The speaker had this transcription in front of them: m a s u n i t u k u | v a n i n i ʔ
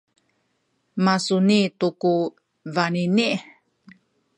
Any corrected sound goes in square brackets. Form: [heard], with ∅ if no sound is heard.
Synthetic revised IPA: m a s u n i t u k u | v a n i n i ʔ